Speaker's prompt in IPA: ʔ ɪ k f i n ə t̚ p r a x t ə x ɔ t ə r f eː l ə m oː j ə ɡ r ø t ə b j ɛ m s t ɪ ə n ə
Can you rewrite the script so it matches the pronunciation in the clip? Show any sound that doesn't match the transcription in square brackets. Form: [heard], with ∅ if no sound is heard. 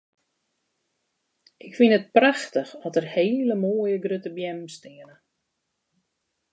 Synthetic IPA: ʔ ɪ k f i n ə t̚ p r a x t ə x ɔ t ə r [h] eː l ə m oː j ə ɡ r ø t ə b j ɛ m s t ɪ ə n ə